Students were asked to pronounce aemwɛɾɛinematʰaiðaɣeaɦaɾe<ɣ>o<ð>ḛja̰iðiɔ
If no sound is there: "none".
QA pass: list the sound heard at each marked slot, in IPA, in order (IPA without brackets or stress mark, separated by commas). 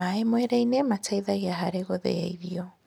ɣ, ð